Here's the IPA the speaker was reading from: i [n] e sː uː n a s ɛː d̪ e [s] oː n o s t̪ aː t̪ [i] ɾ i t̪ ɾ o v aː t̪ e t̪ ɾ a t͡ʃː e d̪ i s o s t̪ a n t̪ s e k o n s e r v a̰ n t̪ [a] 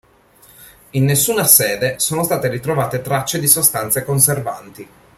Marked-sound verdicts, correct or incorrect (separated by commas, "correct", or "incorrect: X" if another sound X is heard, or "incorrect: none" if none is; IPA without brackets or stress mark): incorrect: nː, correct, incorrect: e, incorrect: i